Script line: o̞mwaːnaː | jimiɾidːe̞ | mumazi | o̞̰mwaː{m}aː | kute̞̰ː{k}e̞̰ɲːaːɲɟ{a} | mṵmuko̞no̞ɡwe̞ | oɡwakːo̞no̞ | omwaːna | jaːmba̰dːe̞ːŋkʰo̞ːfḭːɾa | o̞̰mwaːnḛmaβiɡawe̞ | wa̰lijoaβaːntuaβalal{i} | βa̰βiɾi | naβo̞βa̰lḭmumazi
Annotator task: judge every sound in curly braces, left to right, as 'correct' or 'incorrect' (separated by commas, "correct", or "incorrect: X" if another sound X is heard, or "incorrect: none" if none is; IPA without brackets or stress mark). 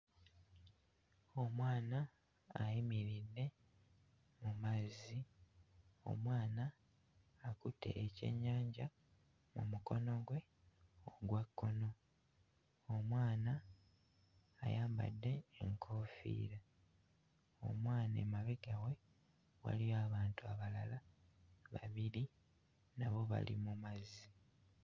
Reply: incorrect: n, incorrect: c, correct, incorrect: a